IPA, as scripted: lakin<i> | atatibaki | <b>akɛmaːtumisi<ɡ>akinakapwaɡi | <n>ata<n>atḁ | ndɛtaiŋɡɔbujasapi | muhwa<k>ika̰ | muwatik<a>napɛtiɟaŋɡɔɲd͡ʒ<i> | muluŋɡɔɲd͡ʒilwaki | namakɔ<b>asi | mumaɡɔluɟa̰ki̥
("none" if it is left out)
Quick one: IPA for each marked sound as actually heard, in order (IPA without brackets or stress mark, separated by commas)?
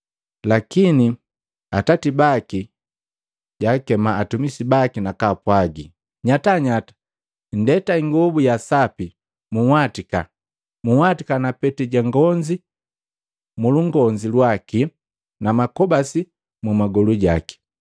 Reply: i, ɟ, b, ɲ, ɲ, t, a, i, b